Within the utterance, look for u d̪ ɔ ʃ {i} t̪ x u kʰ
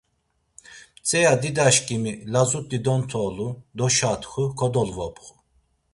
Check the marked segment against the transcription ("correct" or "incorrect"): incorrect